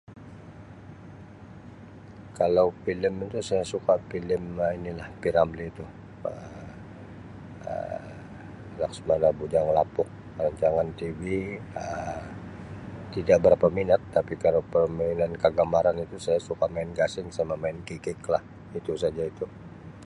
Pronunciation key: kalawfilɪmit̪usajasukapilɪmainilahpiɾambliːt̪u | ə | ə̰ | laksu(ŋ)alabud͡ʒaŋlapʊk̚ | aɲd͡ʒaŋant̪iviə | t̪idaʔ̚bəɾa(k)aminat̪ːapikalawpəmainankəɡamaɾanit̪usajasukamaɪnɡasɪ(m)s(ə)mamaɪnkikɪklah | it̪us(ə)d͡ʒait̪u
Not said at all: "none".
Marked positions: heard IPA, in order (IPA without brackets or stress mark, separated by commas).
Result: m, p, ŋ, a, a